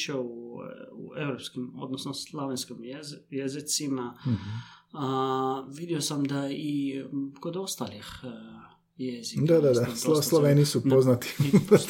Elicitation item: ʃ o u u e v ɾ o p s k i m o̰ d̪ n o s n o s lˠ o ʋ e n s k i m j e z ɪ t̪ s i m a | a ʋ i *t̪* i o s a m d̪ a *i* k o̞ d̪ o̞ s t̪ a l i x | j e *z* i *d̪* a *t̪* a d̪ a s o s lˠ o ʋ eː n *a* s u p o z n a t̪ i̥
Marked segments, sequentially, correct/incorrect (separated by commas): incorrect, correct, correct, correct, incorrect, incorrect